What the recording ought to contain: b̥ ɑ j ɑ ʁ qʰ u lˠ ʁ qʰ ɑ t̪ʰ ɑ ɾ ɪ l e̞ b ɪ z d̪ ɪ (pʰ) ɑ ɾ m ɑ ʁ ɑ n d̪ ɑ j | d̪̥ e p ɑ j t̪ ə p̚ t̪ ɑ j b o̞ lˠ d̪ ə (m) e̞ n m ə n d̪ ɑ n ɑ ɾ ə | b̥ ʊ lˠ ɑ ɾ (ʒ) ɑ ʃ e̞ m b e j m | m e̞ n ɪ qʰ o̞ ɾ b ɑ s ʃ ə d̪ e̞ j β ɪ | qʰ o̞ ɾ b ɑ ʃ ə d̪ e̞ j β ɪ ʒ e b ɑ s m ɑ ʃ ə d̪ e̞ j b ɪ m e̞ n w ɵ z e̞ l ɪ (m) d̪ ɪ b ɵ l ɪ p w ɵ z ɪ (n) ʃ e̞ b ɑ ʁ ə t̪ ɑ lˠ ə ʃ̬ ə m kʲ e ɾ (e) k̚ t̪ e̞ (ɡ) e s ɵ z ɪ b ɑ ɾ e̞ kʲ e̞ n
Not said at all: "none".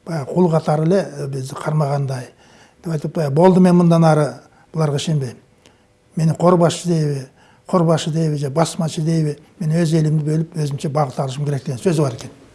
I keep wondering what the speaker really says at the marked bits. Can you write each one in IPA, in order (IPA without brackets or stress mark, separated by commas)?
qʰ, m, ʁ, m, m, e, ɡ